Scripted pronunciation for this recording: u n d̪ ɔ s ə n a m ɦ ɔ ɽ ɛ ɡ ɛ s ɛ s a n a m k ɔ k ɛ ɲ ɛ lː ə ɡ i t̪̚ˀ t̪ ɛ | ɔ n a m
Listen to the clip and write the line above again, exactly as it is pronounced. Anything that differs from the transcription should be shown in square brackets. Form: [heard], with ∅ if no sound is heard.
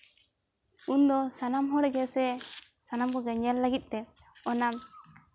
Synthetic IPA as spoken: u n d̪ ɔ s [a] n a m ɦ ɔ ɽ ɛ ɡ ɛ s ɛ s a n a m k ɔ [ɡ] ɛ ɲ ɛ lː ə ɡ i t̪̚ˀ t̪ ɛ | ɔ n a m